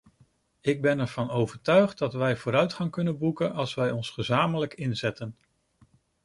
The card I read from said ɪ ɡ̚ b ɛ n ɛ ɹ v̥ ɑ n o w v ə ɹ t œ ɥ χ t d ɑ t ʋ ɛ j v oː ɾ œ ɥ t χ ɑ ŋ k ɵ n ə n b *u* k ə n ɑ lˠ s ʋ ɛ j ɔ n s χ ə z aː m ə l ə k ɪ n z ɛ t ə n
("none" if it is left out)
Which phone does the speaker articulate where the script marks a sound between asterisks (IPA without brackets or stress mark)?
u